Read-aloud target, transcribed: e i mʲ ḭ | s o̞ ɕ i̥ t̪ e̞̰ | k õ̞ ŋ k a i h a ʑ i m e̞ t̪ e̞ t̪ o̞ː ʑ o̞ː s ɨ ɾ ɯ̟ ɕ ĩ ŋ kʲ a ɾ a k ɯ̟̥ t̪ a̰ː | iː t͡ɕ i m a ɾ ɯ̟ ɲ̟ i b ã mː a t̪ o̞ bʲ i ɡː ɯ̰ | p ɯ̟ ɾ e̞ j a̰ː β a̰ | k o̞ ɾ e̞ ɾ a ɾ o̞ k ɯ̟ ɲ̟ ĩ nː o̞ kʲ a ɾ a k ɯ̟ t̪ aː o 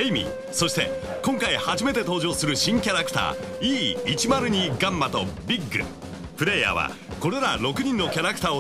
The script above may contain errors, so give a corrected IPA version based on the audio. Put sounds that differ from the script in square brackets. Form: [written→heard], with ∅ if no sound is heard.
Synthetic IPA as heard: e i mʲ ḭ | s o̞ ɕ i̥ t̪ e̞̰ | k õ̞ ŋ k a i h a ʑ i m e̞ t̪ e̞ t̪ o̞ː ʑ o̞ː s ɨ ɾ ɯ̟ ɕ ĩ ŋ kʲ a ɾ a k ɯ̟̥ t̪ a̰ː | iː t͡ɕ i m a ɾ ɯ̟ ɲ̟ i [b→ɡ] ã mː a t̪ o̞ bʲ i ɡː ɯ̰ | p ɯ̟ ɾ e̞ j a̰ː β a̰ | k o̞ ɾ e̞ ɾ a ɾ o̞ k ɯ̟ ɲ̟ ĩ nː o̞ kʲ a ɾ a k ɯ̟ t̪ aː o